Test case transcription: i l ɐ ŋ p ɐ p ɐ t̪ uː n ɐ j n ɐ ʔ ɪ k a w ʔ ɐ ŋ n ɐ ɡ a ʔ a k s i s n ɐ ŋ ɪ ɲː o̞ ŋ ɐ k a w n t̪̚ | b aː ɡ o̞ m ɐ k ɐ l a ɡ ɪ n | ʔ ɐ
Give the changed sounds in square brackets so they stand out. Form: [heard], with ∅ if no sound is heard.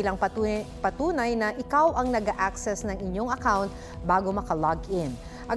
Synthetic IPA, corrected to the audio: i l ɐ ŋ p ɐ p ɐ t̪ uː n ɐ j n ɐ ʔ ɪ k a w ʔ ɐ ŋ n ɐ ɡ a ʔ a k s [ɛ] s n ɐ ŋ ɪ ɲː o̞ ŋ ɐ k a w n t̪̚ | b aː ɡ o̞ m ɐ k ɐ l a ɡ ɪ n | ʔ ɐ